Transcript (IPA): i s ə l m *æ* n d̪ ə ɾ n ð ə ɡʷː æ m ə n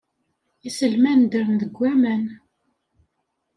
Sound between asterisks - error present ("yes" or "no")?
no